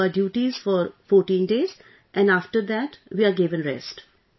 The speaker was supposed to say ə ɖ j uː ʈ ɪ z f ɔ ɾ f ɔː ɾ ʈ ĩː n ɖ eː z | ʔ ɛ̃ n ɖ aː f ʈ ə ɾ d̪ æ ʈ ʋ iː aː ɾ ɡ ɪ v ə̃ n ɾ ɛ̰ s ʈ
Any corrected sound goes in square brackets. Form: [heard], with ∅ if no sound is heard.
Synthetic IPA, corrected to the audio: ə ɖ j uː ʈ [i] z f ɔ ɾ f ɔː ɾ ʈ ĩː n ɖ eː z | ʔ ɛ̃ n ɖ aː f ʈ ə ɾ d̪ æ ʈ ʋ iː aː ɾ ɡ ɪ [ʋ] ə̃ n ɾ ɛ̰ s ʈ